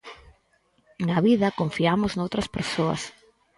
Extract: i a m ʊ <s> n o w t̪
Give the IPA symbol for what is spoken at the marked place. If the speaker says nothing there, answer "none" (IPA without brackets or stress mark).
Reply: z